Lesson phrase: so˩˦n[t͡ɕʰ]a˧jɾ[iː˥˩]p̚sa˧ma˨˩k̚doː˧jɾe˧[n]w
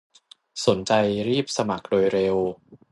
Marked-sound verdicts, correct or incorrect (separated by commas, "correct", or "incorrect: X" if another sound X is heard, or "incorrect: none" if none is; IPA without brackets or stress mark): incorrect: t͡ɕ, correct, incorrect: none